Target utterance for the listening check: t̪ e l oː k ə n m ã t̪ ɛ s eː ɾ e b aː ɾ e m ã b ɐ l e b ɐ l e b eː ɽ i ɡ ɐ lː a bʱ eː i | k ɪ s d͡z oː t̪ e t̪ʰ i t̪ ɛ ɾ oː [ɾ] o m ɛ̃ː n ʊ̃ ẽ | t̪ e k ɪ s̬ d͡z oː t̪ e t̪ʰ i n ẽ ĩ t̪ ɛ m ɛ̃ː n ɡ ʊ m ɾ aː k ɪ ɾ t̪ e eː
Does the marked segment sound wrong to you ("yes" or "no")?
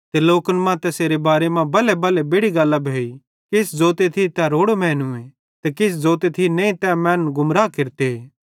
yes